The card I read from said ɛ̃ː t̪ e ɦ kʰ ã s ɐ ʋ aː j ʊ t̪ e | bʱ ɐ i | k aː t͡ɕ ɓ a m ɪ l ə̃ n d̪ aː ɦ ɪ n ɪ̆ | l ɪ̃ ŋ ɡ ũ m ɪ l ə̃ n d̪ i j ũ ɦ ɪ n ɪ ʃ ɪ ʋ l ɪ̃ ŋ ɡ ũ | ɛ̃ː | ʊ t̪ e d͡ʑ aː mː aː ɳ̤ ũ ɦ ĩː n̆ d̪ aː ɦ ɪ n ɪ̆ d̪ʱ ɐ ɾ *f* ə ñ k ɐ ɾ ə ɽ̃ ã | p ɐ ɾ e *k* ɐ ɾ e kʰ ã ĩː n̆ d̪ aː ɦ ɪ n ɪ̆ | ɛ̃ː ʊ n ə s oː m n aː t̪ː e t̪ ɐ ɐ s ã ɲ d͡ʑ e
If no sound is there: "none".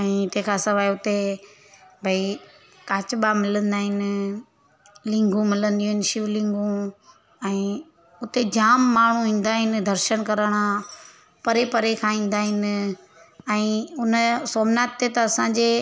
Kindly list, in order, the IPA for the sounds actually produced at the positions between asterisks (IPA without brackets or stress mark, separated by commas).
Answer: ʃ, p